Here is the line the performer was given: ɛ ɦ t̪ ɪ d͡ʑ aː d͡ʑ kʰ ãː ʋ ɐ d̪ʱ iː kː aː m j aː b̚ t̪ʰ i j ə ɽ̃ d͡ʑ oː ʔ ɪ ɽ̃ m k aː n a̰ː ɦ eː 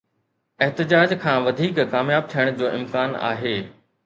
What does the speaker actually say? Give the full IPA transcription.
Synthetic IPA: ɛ ɦ t̪ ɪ d͡ʑ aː d͡ʑ kʰ ãː ʋ ɐ d̪ʱ iː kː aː m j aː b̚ t̪ʰ i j ə ɽ̃ d͡ʑ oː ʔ ɪ m k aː n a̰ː ɦ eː